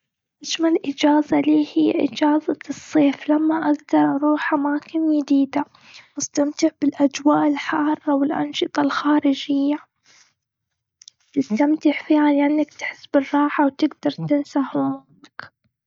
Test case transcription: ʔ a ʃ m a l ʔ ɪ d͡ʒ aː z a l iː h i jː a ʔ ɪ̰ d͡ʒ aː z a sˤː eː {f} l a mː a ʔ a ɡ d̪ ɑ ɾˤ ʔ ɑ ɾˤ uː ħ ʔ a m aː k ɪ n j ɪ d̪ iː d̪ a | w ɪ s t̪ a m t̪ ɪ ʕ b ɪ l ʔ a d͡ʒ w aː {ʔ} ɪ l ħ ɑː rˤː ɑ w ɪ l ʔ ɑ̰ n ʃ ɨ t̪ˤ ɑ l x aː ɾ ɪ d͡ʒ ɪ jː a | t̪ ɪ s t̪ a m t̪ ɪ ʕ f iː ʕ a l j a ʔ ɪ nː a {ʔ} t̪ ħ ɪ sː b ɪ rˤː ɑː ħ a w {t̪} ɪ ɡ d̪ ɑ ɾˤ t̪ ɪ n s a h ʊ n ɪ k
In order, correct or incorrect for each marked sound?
correct, correct, incorrect: k, correct

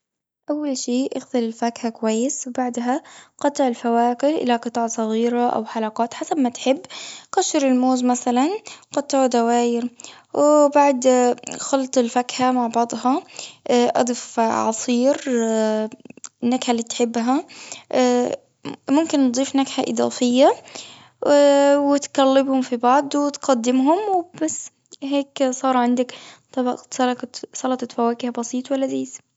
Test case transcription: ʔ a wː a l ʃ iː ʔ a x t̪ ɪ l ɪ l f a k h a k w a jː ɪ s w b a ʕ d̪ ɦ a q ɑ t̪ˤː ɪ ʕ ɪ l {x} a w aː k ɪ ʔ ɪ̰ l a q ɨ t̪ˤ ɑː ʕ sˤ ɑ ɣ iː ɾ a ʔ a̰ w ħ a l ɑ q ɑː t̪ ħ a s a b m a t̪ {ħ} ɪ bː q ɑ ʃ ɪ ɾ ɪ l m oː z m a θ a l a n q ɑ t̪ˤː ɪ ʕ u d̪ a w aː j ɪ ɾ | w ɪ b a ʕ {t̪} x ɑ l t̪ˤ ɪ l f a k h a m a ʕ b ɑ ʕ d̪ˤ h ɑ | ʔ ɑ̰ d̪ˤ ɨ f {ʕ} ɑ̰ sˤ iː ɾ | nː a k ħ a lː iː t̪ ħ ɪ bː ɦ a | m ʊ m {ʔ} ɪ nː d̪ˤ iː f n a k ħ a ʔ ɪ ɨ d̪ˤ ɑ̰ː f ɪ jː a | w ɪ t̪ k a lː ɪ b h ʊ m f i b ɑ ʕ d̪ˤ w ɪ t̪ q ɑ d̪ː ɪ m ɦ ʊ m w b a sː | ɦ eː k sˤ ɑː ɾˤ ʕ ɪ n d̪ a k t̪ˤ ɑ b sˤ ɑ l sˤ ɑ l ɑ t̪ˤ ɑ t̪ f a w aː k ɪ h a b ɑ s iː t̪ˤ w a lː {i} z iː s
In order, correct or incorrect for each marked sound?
incorrect: f, correct, incorrect: d̪, correct, incorrect: k, incorrect: a

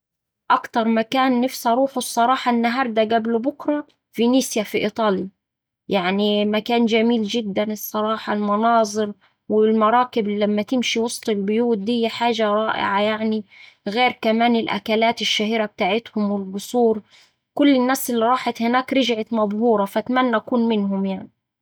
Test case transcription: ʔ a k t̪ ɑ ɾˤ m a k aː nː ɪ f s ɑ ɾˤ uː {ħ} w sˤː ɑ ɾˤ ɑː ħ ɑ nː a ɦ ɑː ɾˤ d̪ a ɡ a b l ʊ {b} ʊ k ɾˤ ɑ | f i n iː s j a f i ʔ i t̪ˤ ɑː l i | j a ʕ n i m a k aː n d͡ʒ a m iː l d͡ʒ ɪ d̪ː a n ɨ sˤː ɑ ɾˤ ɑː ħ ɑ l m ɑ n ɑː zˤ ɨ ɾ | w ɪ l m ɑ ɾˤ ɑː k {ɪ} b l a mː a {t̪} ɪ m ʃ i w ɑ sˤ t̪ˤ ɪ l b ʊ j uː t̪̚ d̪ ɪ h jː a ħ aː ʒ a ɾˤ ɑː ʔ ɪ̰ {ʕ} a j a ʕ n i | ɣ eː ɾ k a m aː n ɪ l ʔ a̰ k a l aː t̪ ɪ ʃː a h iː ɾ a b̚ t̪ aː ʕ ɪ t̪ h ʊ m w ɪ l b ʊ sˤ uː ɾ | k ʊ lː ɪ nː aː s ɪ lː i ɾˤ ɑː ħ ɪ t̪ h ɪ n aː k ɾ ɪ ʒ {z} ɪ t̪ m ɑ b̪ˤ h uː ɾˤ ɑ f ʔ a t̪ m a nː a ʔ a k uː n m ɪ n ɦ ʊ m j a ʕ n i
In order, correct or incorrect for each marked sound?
correct, correct, correct, correct, correct, incorrect: ʕ

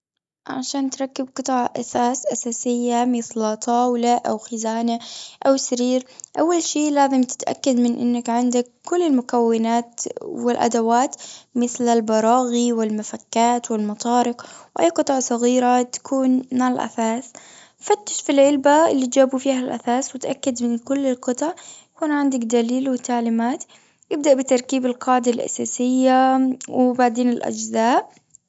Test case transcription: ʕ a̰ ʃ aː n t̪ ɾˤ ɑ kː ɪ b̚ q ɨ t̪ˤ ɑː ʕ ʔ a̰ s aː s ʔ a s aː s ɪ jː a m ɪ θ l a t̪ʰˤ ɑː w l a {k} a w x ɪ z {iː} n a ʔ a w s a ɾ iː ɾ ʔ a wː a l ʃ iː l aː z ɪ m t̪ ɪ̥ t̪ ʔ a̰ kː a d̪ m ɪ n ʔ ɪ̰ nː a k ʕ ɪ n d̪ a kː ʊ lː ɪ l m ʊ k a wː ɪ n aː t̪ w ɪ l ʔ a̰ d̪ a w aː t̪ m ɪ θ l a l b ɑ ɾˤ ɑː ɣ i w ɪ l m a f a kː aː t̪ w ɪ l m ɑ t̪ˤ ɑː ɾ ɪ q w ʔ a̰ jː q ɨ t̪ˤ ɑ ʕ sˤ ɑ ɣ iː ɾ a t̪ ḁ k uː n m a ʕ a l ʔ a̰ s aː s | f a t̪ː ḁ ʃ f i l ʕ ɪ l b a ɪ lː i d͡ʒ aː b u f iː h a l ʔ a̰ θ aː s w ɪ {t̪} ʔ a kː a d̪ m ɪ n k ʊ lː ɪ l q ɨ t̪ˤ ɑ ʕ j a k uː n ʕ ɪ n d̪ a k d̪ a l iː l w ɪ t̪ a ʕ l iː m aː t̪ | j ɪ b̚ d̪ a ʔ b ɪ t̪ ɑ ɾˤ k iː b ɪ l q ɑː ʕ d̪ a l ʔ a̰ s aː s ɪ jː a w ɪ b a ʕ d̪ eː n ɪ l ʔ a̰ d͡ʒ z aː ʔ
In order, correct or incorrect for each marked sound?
incorrect: ʔ, incorrect: aː, correct

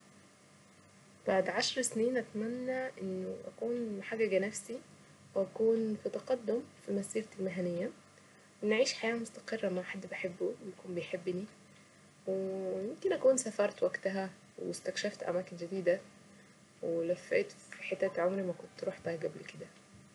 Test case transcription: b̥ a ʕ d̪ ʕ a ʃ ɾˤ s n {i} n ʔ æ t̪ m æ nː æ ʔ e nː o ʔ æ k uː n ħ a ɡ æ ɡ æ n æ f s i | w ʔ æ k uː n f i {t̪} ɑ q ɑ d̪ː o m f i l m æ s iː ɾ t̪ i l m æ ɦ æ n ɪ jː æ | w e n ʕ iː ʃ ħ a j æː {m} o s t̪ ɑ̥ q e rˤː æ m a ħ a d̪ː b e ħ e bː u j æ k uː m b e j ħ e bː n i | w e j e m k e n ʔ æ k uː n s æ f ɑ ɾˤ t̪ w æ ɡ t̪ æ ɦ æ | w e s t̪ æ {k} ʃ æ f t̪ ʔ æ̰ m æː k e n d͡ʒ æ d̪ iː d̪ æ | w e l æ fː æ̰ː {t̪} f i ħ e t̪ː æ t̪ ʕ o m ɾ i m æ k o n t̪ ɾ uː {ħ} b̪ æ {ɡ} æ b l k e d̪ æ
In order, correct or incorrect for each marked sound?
incorrect: iː, correct, correct, correct, correct, correct, correct

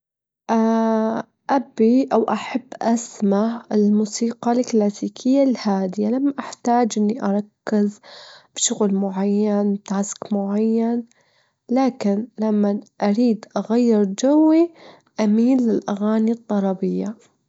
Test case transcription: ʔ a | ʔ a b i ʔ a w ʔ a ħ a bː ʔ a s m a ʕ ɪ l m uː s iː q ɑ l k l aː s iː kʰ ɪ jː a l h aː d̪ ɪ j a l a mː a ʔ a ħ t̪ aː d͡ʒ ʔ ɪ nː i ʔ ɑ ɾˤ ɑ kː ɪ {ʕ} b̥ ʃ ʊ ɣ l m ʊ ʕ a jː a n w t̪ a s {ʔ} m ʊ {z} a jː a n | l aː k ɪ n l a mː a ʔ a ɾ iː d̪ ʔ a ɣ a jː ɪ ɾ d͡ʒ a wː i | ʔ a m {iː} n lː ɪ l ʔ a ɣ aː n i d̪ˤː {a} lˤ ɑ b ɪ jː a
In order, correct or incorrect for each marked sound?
incorrect: z, incorrect: k, incorrect: ʕ, correct, incorrect: ɑ

